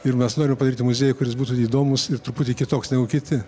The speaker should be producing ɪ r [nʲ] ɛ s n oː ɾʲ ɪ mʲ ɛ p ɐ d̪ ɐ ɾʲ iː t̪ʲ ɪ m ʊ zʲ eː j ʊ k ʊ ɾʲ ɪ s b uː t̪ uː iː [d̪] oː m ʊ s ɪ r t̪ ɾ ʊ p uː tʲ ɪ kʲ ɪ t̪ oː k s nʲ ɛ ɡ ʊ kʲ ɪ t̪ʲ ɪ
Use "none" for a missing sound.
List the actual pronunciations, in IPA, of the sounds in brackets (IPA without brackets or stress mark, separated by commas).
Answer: mʲ, d̪